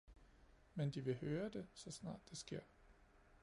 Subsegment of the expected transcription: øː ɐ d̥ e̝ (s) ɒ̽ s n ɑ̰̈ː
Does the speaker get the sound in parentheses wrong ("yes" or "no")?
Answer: no